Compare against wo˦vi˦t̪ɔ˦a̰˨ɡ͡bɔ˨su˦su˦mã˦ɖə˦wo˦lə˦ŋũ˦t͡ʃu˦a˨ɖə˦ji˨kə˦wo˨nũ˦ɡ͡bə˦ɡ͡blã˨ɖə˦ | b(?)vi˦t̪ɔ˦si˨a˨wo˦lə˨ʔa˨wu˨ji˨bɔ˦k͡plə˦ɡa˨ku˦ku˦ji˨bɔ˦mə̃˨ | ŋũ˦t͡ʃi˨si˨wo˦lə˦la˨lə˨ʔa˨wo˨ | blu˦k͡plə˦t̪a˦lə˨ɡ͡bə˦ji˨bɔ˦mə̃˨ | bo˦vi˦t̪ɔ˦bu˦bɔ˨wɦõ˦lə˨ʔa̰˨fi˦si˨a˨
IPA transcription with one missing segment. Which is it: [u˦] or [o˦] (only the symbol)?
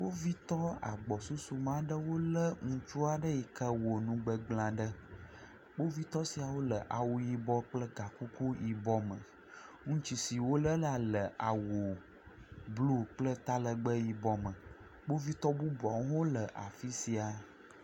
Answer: o˦